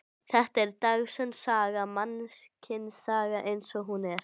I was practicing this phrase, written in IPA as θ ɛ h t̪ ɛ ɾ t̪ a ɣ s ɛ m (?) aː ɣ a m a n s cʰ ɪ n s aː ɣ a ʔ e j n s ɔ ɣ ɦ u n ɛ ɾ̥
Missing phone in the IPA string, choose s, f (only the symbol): s